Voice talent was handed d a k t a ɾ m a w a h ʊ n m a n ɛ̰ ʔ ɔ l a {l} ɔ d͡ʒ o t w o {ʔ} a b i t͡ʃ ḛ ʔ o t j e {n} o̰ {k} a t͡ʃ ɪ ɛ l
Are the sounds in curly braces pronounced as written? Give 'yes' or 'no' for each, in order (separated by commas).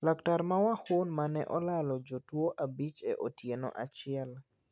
yes, yes, yes, no